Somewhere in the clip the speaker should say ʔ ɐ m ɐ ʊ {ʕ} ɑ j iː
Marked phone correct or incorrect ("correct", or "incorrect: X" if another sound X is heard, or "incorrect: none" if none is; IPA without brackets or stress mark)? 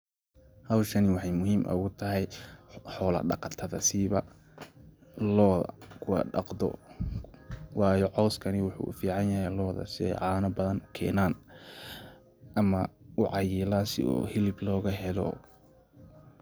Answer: correct